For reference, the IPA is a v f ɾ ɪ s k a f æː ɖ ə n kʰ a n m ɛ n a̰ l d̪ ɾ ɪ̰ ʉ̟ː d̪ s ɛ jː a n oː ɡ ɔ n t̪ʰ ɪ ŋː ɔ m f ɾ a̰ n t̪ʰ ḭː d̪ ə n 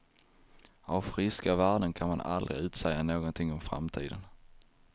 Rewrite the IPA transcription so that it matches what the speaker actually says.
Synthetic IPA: a v f ɾ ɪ s k a v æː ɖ ə n kʰ a n m a n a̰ l d̪ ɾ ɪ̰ ʉ̟ː t̪ s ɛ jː a n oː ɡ ɔ n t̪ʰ ɪ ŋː ɔ m f ɾ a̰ m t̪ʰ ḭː d̪ ə n